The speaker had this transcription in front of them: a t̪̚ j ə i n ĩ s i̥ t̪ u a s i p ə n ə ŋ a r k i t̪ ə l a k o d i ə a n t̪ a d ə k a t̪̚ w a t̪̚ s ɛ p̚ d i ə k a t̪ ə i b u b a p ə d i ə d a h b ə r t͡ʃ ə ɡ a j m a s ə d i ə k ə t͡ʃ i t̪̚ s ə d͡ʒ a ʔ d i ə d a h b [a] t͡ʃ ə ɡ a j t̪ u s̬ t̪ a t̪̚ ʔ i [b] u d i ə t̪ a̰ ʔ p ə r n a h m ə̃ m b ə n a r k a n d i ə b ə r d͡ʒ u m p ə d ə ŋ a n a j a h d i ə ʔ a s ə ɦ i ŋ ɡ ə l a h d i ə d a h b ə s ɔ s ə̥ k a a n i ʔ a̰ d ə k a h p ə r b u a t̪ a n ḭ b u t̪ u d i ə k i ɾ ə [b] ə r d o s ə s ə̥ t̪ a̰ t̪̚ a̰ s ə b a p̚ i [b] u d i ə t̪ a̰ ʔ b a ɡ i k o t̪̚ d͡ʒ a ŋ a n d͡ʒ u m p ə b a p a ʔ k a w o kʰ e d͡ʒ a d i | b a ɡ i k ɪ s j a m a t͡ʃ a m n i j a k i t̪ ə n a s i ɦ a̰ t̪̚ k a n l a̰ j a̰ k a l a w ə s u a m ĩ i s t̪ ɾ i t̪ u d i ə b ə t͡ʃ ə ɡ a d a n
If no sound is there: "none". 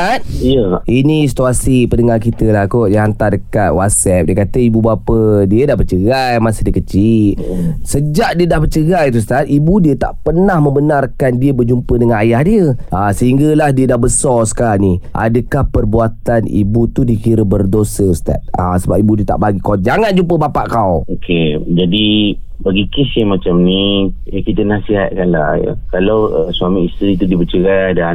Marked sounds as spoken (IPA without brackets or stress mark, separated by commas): ə, b, b, b